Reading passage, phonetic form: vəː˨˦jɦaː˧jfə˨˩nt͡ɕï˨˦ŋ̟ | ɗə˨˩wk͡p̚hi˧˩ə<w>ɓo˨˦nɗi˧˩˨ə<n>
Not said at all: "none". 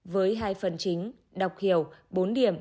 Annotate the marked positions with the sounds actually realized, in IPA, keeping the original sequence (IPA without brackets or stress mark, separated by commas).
w, m